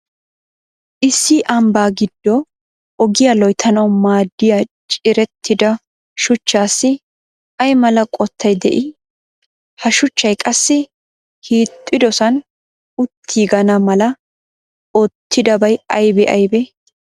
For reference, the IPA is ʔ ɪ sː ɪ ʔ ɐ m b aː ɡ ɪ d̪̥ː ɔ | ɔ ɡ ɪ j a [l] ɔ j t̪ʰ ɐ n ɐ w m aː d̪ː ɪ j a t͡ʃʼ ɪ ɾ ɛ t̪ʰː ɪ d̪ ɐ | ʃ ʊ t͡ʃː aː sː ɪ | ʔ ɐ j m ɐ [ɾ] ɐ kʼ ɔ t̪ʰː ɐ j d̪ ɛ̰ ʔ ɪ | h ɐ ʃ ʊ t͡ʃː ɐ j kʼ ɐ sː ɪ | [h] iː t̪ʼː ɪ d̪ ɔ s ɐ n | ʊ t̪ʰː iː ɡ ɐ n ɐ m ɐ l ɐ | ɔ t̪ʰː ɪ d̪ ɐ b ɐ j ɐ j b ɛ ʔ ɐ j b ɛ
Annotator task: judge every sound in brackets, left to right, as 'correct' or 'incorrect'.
correct, incorrect, correct

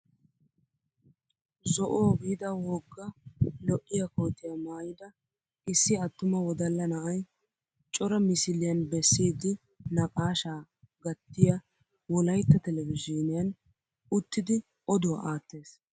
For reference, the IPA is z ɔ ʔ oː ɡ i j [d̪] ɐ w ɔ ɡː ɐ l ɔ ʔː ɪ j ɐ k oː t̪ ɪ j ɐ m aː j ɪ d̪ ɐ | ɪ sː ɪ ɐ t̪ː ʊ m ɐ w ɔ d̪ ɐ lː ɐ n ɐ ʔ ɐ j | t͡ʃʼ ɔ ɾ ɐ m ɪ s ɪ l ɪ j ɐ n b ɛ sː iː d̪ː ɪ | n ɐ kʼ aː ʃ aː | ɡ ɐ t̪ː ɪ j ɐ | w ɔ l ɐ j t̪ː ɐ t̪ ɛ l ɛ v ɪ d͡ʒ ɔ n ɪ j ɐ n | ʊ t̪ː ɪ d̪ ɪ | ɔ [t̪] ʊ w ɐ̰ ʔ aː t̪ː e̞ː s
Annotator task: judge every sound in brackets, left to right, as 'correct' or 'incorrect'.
correct, incorrect

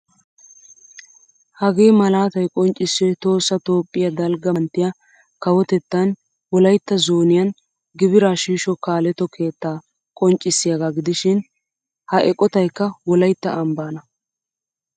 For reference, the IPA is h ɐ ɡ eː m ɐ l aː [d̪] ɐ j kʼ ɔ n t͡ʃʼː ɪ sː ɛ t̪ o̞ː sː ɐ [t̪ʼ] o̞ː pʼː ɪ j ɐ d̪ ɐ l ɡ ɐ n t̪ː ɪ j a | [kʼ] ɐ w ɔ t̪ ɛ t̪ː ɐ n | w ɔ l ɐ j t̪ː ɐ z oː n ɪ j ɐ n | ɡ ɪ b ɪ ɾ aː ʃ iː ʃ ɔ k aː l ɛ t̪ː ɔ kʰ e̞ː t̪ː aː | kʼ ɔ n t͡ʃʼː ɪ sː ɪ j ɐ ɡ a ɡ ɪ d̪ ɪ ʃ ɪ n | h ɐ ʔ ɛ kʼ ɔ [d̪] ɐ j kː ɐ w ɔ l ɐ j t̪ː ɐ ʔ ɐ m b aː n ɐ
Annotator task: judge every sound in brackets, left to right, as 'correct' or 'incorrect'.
incorrect, incorrect, incorrect, incorrect

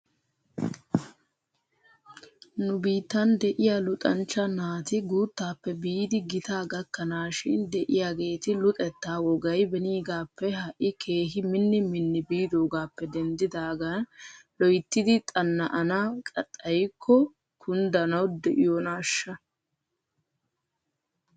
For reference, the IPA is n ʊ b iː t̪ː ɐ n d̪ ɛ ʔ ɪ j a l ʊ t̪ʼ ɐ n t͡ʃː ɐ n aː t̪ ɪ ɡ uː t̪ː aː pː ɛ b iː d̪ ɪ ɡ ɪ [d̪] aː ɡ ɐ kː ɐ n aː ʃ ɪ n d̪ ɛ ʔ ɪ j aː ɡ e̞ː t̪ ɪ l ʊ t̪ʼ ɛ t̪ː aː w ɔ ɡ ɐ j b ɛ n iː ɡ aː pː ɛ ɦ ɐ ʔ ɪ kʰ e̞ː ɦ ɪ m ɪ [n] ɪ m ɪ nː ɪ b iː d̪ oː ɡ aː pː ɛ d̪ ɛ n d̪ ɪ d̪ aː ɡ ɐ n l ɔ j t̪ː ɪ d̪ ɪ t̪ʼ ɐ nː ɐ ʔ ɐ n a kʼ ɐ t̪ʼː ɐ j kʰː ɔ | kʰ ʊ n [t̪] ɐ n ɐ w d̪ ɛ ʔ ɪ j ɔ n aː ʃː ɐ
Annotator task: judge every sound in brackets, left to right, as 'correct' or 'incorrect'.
incorrect, incorrect, incorrect

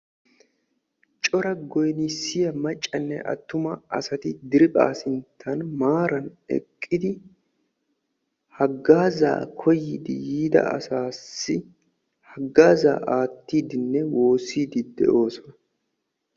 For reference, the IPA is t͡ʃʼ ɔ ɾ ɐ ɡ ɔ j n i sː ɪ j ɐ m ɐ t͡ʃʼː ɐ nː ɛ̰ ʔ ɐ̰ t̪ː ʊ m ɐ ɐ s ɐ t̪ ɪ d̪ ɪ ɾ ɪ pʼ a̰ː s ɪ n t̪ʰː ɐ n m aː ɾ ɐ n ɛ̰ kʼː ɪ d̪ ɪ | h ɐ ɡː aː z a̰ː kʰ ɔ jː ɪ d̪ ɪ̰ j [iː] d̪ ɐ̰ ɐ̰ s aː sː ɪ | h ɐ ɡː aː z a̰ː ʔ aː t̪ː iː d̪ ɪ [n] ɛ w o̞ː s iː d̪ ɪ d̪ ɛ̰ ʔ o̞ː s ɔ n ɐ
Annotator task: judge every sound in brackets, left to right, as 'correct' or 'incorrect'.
correct, incorrect

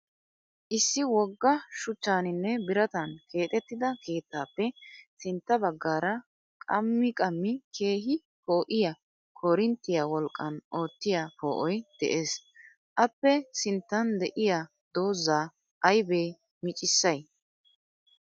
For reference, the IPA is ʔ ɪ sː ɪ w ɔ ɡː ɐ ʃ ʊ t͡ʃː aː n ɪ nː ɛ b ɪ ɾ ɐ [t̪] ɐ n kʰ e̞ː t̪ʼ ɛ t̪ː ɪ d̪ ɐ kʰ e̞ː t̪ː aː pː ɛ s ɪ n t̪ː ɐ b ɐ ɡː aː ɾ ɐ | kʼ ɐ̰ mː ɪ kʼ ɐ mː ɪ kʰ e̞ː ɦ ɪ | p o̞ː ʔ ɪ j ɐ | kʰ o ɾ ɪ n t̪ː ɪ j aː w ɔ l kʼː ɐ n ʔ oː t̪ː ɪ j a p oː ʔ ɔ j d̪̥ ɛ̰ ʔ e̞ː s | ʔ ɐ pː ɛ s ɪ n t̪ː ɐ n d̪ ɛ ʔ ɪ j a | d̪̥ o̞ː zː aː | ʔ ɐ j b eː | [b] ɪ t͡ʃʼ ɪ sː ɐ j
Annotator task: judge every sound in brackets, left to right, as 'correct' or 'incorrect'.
correct, incorrect

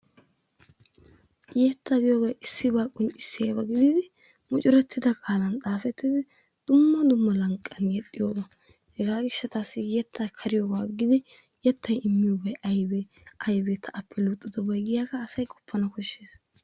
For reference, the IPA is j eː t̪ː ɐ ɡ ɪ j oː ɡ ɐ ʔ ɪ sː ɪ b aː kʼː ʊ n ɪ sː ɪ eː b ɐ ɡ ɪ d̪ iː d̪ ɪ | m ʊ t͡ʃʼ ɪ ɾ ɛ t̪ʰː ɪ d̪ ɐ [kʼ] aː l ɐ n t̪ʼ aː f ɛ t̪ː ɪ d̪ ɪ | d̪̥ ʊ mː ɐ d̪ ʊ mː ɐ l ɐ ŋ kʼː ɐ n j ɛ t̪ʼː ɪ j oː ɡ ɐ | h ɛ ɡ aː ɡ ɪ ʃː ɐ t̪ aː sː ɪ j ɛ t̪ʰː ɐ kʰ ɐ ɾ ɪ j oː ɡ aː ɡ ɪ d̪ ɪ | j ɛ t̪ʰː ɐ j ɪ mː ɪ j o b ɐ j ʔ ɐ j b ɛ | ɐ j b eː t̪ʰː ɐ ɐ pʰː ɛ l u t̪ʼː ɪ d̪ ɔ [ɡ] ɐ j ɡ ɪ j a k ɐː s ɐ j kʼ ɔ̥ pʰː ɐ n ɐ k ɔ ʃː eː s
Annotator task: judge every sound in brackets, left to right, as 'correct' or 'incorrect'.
correct, incorrect

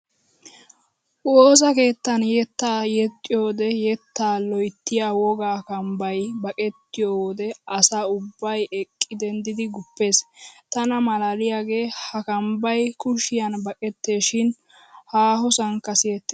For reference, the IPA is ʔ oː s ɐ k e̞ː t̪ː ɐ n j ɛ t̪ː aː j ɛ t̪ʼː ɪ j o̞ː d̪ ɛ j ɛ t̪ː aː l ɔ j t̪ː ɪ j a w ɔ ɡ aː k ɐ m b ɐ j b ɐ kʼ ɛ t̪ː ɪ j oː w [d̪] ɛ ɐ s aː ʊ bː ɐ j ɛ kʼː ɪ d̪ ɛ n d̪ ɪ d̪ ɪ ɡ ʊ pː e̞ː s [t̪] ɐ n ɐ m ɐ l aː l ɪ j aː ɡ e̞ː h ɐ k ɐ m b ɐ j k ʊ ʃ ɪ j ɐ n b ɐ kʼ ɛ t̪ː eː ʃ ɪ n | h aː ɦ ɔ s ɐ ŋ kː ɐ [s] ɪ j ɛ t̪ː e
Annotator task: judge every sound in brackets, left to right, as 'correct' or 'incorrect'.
correct, correct, correct

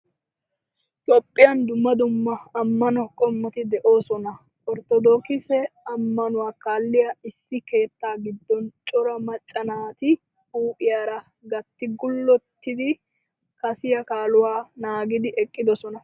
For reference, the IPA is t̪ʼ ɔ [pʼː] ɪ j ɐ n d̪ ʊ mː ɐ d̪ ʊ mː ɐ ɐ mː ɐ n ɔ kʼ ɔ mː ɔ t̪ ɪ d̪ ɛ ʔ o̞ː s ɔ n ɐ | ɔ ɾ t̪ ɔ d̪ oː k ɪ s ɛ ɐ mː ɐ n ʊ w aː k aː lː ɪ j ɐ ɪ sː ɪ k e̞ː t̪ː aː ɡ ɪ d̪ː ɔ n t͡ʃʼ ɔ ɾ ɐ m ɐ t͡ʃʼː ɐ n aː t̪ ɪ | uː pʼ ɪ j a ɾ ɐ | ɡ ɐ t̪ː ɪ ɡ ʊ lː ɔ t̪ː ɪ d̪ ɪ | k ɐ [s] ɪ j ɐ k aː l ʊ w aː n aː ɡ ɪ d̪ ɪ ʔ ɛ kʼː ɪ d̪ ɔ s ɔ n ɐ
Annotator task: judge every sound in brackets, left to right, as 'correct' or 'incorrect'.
correct, correct

